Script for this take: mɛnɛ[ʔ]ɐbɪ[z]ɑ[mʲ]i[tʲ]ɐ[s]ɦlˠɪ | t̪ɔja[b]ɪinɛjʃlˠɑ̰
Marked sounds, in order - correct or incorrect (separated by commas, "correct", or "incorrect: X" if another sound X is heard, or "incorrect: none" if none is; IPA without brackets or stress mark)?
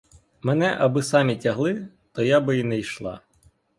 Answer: correct, incorrect: s, correct, correct, incorrect: none, correct